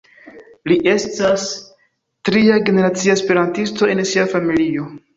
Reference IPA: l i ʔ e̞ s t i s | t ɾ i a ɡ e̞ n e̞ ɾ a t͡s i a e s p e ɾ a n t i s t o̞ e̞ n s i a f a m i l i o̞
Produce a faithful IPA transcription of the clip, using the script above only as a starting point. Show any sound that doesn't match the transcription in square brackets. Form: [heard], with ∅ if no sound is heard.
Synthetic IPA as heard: l i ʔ e̞ s t [a] s | t ɾ i a ɡ e̞ n e̞ ɾ a t͡s i a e s p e ɾ a n t i s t o̞ e̞ n s i a f a m i l i o̞